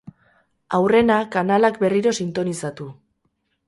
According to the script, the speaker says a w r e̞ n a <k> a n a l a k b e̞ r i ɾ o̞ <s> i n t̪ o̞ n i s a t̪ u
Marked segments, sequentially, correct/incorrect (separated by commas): correct, correct